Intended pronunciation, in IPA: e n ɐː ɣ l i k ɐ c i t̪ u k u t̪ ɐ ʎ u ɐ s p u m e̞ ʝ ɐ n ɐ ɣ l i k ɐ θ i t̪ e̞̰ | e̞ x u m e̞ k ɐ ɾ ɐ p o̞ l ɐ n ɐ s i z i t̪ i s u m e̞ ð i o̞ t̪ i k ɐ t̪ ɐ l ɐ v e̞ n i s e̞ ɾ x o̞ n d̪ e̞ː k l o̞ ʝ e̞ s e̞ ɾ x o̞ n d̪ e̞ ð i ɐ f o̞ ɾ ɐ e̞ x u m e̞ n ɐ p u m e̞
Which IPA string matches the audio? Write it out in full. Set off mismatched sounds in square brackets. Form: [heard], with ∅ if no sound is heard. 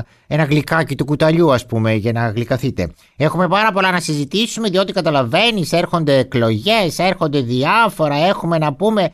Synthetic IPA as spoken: e n [ɐ] ɣ l i k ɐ c i t̪ u k u t̪ ɐ ʎ u ɐ s p u m e̞ ʝ ɐ n ɐ ɣ l i k ɐ θ i t̪ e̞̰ | e̞ x u m e̞ [p] ɐ ɾ ɐ p o̞ l ɐ n ɐ s i z i t̪ i s u m e̞ ð i o̞ t̪ i k ɐ t̪ ɐ l ɐ v e̞ n i s e̞ ɾ x o̞ n d̪ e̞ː k l o̞ ʝ e̞ s e̞ ɾ x o̞ n d̪ e̞ ð i ɐ f o̞ ɾ ɐ e̞ x u m e̞ n ɐ p u m e̞